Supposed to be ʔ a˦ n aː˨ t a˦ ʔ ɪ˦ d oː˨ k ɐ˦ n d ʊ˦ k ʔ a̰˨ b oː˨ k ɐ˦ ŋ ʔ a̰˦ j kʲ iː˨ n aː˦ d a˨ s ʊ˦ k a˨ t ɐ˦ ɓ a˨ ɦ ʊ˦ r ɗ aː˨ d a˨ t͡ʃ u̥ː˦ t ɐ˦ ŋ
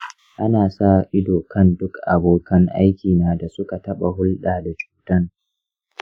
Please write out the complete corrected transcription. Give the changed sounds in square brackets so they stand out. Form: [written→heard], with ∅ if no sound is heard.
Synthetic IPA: ʔ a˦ n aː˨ [t→s] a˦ ʔ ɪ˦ d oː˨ k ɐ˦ n d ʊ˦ k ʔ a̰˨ b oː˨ k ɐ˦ ŋ ʔ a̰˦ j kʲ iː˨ n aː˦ d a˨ s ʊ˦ k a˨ t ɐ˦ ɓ a˨ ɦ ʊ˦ [r→l] ɗ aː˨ d a˨ t͡ʃ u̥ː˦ t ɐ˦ ŋ

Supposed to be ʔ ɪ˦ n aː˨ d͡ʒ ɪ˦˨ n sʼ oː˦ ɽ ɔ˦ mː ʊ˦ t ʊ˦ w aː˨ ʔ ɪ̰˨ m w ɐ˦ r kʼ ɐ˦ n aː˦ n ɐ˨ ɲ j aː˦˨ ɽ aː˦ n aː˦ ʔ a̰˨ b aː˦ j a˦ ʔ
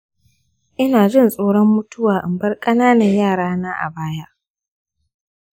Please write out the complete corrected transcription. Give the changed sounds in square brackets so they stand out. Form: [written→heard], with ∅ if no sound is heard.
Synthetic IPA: ʔ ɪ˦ n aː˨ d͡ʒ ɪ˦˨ n sʼ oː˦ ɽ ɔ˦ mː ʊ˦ t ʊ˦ w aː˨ ʔ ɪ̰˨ m [w→b] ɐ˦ r kʼ ɐ˦ n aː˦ n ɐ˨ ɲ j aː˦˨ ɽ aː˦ n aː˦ ʔ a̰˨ b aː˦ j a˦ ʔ

